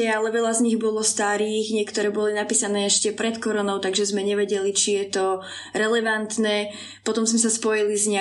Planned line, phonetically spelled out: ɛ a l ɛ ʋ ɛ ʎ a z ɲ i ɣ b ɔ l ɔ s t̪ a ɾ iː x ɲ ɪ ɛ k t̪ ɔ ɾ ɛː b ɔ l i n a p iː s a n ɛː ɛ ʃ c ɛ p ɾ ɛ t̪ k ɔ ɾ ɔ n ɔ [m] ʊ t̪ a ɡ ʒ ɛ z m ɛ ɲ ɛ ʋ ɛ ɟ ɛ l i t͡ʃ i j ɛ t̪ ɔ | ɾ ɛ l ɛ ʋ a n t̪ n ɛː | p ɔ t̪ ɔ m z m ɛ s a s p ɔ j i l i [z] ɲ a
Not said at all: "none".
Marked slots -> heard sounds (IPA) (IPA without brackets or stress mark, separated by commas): none, z